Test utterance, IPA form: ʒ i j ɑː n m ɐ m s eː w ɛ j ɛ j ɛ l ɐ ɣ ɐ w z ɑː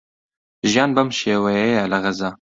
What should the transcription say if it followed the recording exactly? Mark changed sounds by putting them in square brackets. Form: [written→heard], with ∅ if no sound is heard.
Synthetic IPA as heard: ʒ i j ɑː n [m→b] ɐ m [s→ʃ] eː w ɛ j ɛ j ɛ l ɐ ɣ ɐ [w→∅] z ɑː